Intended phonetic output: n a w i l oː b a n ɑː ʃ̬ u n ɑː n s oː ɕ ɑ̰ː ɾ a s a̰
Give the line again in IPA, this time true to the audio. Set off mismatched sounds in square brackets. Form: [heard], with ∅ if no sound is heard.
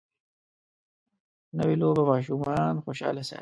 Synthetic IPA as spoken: n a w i l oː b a [m] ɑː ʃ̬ u [m] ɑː n [x] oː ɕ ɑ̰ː [l] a s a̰